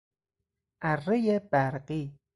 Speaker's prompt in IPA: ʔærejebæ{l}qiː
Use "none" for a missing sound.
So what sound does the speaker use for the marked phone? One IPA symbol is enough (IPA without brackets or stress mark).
ɾ